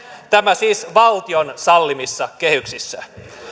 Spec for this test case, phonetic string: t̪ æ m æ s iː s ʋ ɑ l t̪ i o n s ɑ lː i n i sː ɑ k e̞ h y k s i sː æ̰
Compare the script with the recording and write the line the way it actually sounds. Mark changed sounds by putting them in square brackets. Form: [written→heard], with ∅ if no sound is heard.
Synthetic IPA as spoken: t̪ æ m æ s iː s ʋ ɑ l t̪ i o n s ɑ lː i [n→m] i sː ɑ k e̞ h y k s i sː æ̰